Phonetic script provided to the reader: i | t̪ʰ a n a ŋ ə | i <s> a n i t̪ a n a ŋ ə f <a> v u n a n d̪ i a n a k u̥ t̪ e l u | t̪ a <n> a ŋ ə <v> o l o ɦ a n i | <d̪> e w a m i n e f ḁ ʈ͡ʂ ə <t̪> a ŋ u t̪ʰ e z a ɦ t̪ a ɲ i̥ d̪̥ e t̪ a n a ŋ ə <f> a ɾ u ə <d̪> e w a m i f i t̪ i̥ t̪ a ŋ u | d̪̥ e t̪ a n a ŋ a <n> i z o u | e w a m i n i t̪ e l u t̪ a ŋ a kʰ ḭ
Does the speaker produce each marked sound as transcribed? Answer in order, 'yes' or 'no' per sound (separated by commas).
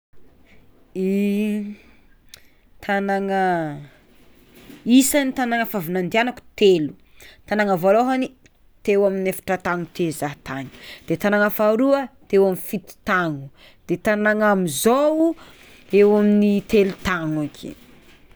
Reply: yes, yes, yes, yes, no, yes, yes, no, no